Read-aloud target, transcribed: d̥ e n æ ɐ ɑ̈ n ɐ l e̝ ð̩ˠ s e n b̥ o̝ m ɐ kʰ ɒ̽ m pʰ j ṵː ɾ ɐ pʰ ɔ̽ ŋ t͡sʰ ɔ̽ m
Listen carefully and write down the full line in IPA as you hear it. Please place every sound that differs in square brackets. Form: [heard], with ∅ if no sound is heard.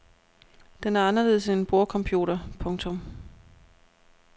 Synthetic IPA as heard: d̥ e n æ ɐ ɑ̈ n ɐ l e̝ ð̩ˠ s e n b̥ o̝ [∅] ɐ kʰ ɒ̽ m pʰ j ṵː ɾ ɐ pʰ ɔ̽ ŋ t͡sʰ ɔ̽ m